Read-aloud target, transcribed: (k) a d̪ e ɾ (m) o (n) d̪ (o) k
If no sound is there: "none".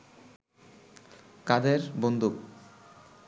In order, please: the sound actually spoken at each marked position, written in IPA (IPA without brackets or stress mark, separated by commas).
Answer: k, b, n, u